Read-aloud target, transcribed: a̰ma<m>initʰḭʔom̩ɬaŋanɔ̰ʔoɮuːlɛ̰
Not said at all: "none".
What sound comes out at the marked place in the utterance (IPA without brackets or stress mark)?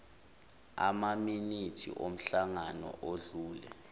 m